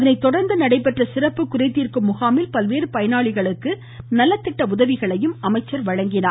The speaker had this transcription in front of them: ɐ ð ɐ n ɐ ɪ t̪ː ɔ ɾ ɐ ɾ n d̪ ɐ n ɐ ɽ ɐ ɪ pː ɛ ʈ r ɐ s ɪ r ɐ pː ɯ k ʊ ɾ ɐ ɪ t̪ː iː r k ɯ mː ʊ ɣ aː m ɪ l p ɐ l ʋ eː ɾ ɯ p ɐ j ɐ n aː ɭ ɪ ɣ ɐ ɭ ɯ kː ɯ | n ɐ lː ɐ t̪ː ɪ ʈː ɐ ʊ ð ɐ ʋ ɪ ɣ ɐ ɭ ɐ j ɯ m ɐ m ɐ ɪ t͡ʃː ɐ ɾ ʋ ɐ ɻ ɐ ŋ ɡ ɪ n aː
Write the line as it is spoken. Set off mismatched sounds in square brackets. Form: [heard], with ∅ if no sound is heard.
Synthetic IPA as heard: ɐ ð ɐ n ɐ ɪ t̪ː ɔ [ɽ] ɐ ɾ n d̪ ɐ n ɐ ɽ ɐ ɪ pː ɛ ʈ r ɐ s ɪ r ɐ pː ɯ k ʊ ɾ ɐ ɪ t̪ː iː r k ɯ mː ʊ ɣ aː m ɪ l p ɐ l ʋ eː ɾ ɯ p ɐ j ɐ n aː ɭ ɪ ɣ ɐ ɭ ɯ kː ɯ | n ɐ lː ɐ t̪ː ɪ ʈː ɐ ʊ ð ɐ ʋ ɪ ɣ ɐ ɭ ɐ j ɯ m ɐ m ɐ ɪ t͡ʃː ɐ ɾ ʋ ɐ ɻ ɐ ŋ ɡ ɪ n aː

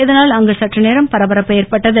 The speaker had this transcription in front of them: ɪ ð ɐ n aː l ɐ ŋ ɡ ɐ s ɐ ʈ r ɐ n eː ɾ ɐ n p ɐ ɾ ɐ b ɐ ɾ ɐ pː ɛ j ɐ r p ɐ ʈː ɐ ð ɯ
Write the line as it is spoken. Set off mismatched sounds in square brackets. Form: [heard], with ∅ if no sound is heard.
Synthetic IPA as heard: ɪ ð ɐ n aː l ɐ ŋ ɡ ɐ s ɐ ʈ r ɐ n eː ɾ ɐ [m] p ɐ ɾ ɐ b ɐ ɾ ɐ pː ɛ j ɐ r p ɐ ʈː ɐ ð ɯ

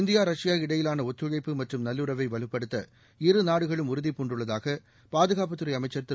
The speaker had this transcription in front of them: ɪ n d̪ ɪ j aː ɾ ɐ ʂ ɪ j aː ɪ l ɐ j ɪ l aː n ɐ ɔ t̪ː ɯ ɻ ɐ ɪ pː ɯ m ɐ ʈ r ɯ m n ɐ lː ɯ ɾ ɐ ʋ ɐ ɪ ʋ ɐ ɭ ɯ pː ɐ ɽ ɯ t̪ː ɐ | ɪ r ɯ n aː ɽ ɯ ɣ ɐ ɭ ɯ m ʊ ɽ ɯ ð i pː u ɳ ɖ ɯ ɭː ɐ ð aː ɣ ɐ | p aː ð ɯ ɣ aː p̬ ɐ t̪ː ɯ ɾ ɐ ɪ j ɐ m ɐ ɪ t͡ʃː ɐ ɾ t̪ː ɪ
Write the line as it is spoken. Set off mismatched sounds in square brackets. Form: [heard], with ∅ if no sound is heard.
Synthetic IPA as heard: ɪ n d̪ ɪ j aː ɾ ɐ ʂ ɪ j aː ɪ [ɽ] ɐ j ɪ l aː n ɐ ɔ t̪ː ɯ ɻ ɐ ɪ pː ɯ m ɐ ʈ r ɯ m n ɐ lː ɯ ɾ ɐ ʋ ɐ ɪ ʋ ɐ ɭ ɯ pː ɐ ɽ ɯ t̪ː ɐ | ɪ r ɯ n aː ɽ ɯ ɣ ɐ ɭ ɯ m ʊ [ɾ] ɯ ð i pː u ɳ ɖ ɯ ɭː ɐ ð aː ɣ ɐ | p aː ð ɯ ɣ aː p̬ ɐ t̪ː ɯ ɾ ɐ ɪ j ɐ m ɐ ɪ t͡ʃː ɐ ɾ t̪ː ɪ

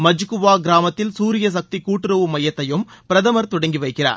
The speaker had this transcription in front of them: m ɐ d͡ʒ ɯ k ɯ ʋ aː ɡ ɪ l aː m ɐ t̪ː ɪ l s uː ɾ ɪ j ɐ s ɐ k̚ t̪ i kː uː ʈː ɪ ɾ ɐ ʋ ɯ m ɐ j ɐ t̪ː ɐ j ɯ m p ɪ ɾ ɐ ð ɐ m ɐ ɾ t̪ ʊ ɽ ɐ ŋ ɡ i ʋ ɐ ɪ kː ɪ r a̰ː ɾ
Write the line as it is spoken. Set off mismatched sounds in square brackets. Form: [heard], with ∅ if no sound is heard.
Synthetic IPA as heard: m ɐ d͡ʒ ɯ k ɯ ʋ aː ɡ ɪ [ɾ] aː m ɐ t̪ː ɪ l s uː ɾ ɪ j ɐ s ɐ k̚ t̪ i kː uː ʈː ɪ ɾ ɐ ʋ ɯ m ɐ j ɐ t̪ː ɐ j ɯ m p ɪ ɾ ɐ ð ɐ m ɐ ɾ t̪ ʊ ɽ ɐ ŋ ɡ i ʋ ɐ ɪ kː ɪ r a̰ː ɾ

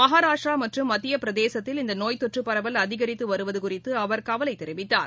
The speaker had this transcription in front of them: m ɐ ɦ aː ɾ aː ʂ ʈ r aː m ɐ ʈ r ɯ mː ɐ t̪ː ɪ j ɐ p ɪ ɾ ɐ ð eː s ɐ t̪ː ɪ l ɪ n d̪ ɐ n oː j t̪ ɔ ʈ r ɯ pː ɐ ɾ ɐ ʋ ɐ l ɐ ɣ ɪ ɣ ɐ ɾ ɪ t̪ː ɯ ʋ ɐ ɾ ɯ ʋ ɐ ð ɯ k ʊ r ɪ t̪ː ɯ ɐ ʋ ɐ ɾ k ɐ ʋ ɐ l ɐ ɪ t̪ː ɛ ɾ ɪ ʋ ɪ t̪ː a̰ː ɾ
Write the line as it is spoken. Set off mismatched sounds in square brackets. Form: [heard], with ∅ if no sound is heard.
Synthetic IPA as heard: m ɐ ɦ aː ɾ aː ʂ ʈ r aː m ɐ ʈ r ɯ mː ɐ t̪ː ɪ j ɐ p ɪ ɾ ɐ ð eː s ɐ t̪ː ɪ l ɪ n d̪ ɐ n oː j t̪ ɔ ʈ r ɯ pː ɐ ɾ ɐ ʋ ɐ l ɐ [ð] ɪ ɣ ɐ ɾ ɪ t̪ː ɯ ʋ ɐ ɾ ɯ ʋ ɐ ð ɯ k ʊ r ɪ t̪ː ɯ ɐ ʋ ɐ ɾ k ɐ ʋ ɐ l ɐ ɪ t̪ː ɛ ɾ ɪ ʋ ɪ t̪ː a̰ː ɾ

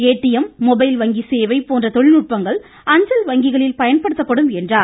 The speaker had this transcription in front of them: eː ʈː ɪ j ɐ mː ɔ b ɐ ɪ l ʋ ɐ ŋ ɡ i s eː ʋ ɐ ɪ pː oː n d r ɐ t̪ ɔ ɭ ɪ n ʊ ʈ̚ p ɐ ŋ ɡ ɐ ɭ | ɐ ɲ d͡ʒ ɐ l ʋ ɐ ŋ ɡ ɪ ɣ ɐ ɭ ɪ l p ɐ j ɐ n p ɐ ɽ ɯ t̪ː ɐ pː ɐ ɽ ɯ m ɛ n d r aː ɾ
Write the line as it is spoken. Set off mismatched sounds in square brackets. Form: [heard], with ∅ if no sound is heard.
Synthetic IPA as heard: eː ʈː ɪ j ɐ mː ɔ b ɐ ɪ l ʋ ɐ ŋ ɡ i s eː ʋ ɐ ɪ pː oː n d r ɐ t̪ ɔ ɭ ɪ n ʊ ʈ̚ p ɐ ŋ ɡ ɐ ɭ | ɐ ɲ d͡ʒ ɐ l ʋ ɐ ŋ ɡ ɪ ɣ ɐ ɭ ɪ l p ɐ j ɐ n p ɐ ɽ ɯ t̪ː ɐ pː ɐ ɽ ɯ m ɛ n d r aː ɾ

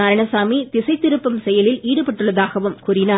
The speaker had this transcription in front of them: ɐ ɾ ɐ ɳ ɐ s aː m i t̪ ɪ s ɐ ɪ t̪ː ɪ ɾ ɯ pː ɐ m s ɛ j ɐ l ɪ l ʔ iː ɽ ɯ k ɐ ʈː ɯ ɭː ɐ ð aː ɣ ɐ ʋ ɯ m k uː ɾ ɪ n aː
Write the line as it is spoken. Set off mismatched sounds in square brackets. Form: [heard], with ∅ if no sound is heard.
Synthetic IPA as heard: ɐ ɾ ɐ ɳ ɐ s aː m i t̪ ɪ s ɐ ɪ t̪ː ɪ ɾ ɯ pː ɐ m s ɛ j ɐ l ɪ l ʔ iː ɽ ɯ [p] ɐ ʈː ɯ ɭː ɐ ð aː ɣ ɐ ʋ ɯ m k uː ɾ ɪ n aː

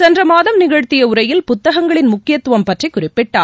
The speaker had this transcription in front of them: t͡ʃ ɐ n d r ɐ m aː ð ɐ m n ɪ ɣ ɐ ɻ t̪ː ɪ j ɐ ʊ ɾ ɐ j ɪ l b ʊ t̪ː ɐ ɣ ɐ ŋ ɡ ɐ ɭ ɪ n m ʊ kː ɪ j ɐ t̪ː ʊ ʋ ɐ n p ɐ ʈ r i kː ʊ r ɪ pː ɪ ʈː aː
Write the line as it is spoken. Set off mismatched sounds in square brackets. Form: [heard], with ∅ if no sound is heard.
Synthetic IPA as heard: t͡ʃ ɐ n d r ɐ m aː ð ɐ m n ɪ ɣ ɐ ɻ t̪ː ɪ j ɐ ʊ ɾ ɐ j ɪ l [p] ʊ t̪ː ɐ ɣ ɐ ŋ ɡ ɐ ɭ ɪ n m ʊ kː ɪ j ɐ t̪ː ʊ ʋ ɐ [m] p ɐ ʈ r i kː ʊ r ɪ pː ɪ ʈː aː

